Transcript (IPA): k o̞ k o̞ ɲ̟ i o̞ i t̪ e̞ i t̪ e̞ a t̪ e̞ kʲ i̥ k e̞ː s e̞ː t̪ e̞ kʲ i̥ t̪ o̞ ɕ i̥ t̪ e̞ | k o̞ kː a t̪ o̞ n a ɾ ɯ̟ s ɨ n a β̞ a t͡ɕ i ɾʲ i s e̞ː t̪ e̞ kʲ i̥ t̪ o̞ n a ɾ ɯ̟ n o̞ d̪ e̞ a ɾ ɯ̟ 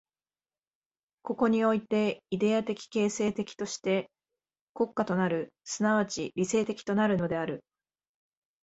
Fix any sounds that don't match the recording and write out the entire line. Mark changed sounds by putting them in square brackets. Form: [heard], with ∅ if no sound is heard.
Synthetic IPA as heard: k o̞ k o̞ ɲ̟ i o̞ i t̪ e̞ i [d̪] e̞ a t̪ e̞ kʲ i̥ k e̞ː s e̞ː t̪ e̞ kʲ i̥ t̪ o̞ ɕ i̥ t̪ e̞ | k o̞ kː a t̪ o̞ n a ɾ ɯ̟ s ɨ n a β̞ a t͡ɕ i ɾʲ i s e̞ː t̪ e̞ kʲ i̥ t̪ o̞ n a ɾ ɯ̟ n o̞ d̪ e̞ a ɾ ɯ̟